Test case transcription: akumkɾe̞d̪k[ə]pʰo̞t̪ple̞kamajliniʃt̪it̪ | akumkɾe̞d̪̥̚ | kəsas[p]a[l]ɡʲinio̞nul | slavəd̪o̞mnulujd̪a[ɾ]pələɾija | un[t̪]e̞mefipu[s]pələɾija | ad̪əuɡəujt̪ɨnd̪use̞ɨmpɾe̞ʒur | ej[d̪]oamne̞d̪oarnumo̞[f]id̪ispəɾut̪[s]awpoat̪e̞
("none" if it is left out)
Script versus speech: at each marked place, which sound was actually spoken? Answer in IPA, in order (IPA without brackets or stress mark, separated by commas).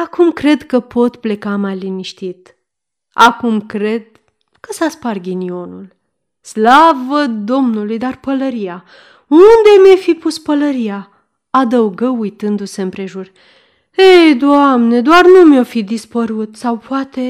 ə, p, r, r, d̪, s, d̪, f, s